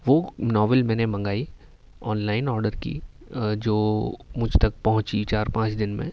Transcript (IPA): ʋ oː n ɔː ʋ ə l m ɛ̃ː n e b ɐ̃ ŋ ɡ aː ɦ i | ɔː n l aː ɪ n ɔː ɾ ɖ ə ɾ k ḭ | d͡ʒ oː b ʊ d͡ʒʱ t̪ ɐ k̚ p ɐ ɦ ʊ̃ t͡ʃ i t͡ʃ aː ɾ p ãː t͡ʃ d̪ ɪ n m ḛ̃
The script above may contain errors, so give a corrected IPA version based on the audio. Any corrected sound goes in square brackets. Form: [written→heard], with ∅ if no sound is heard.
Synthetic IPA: ʋ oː n ɔː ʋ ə l m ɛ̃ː n e [b→m] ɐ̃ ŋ ɡ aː [ɦ→∅] i | ɔː n l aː ɪ n ɔː ɾ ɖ ə ɾ k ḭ | d͡ʒ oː [b→m] ʊ d͡ʒʱ t̪ ɐ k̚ p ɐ ɦ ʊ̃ t͡ʃ i t͡ʃ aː ɾ p ãː t͡ʃ d̪ ɪ n m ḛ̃